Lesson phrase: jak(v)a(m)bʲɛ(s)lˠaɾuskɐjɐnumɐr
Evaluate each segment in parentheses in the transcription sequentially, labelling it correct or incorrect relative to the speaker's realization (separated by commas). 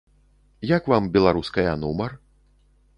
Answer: correct, correct, incorrect